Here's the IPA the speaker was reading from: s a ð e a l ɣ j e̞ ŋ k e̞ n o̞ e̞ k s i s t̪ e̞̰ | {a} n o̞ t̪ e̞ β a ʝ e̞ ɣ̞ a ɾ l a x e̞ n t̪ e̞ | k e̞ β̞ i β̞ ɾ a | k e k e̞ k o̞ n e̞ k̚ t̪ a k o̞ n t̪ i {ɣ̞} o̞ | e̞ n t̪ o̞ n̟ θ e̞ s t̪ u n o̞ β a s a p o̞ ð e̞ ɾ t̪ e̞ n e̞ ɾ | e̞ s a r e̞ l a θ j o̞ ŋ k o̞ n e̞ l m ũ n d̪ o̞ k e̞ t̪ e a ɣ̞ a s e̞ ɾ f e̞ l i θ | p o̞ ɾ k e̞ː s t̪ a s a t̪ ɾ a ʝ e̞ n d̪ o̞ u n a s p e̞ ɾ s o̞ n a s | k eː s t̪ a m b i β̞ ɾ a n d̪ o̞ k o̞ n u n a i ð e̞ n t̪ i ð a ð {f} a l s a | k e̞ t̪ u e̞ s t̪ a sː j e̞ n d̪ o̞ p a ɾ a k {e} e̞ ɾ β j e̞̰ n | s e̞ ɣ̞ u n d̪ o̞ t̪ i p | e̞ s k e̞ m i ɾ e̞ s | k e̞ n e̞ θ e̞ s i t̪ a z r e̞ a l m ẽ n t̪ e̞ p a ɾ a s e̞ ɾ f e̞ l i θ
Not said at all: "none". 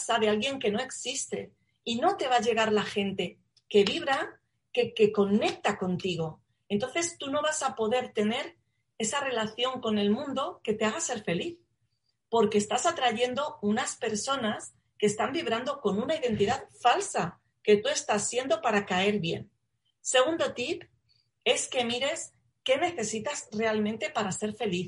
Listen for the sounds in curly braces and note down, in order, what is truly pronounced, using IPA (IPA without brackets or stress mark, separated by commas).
i, ɣ̞, f, a